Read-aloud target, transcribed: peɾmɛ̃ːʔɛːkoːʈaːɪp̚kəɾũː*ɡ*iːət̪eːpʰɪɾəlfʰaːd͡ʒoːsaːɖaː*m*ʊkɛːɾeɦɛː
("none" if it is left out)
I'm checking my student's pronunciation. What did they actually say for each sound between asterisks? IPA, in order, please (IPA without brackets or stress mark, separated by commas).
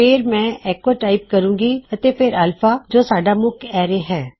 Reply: ɡ, m